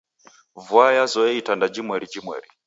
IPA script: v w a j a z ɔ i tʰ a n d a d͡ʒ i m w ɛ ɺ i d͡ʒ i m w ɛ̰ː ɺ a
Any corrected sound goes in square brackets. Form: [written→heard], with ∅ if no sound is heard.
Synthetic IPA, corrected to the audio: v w a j a z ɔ i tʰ a n d a d͡ʒ i m w ɛ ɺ i d͡ʒ i m w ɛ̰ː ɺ [a→i]